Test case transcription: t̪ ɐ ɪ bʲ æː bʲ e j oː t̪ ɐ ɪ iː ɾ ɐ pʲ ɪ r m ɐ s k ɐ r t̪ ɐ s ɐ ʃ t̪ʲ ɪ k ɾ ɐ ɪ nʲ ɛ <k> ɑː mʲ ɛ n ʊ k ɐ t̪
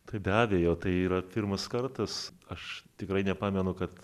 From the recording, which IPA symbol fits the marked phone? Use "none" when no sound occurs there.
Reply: p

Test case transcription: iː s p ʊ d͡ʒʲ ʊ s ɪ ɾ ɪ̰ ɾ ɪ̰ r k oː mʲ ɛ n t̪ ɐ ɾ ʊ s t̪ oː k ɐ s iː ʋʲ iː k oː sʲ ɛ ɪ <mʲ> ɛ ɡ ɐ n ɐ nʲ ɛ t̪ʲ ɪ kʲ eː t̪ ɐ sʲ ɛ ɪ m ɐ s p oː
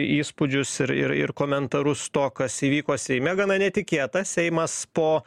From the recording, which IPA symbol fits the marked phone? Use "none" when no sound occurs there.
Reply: mʲ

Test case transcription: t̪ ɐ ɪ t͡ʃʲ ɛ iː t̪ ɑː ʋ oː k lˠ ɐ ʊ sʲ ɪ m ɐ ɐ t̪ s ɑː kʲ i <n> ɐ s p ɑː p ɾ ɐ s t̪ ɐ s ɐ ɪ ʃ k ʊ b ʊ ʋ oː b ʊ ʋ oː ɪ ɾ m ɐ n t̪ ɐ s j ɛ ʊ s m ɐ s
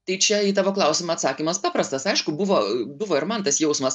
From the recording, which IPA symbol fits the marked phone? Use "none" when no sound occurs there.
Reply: m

